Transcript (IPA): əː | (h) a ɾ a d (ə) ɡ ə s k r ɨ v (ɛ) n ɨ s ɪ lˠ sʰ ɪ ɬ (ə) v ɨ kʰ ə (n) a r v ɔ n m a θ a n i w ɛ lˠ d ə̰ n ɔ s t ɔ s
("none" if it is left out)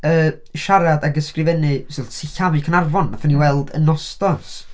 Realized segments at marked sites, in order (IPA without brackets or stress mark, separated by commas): ʃ, a, ɛ, a, n